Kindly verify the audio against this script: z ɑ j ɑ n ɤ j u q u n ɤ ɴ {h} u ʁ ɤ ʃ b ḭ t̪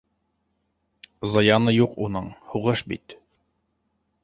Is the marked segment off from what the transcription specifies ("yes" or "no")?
no